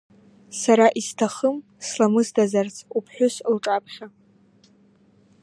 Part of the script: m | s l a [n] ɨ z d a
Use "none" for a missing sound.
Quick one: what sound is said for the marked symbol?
m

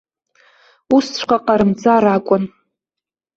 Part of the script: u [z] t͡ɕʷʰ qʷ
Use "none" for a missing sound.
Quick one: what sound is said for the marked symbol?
s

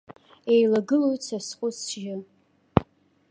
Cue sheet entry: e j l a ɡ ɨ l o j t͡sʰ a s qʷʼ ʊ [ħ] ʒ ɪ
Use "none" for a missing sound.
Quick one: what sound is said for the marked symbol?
s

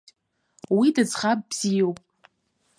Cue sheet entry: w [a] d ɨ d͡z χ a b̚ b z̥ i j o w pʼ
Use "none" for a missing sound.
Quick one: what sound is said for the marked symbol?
i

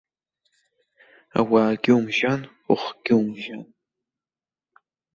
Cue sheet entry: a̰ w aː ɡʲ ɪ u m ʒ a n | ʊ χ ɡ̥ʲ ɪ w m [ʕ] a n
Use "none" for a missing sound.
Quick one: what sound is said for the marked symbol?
ʒ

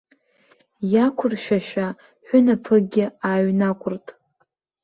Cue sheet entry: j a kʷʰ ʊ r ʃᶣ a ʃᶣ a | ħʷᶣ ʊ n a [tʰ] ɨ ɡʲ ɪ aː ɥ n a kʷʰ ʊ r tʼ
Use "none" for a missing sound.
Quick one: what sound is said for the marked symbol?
pʰ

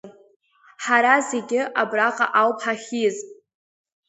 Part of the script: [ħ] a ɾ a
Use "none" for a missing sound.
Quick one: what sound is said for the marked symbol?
ħ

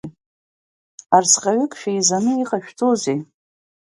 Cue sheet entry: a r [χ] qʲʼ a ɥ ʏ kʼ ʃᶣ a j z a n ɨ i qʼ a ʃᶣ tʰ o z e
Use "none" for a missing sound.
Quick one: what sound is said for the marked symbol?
s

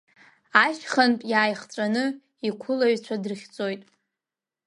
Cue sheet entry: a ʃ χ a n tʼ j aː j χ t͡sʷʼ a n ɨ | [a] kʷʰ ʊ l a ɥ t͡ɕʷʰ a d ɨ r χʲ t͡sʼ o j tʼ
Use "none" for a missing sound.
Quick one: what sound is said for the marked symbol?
i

